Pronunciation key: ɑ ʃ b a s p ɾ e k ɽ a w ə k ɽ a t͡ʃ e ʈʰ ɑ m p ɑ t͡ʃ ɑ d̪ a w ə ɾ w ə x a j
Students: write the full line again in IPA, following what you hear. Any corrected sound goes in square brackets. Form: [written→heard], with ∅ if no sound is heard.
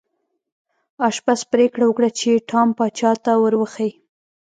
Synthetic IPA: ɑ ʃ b a s p ɾ e k ɽ a w ə k ɽ a t͡ʃ e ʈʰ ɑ m p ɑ t͡ʃ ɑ [d̪→t̪] a w ə ɾ w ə x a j

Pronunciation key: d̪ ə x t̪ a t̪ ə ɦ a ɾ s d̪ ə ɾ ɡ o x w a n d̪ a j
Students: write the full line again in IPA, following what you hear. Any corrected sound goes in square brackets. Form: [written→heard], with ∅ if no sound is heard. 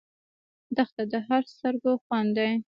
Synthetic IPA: d̪ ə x t̪ a [t̪→d̪] ə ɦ a ɾ s [d̪→t̪] ə ɾ ɡ o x w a n d̪ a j

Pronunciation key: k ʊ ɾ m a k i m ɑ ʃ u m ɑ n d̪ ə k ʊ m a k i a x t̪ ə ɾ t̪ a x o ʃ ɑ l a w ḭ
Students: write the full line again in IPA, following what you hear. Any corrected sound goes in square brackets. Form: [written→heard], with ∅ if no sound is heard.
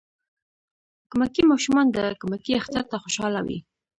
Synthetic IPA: k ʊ [ɾ→∅] m a k i m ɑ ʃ u m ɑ n d̪ ə k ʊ m a k i a x t̪ [ə→a] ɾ t̪ a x o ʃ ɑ l a w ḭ

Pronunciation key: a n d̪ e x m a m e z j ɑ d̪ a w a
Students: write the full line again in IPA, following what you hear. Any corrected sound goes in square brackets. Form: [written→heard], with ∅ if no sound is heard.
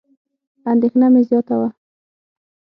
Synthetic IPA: a n d̪ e x [m→n] a m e z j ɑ [d̪→t̪] a w a

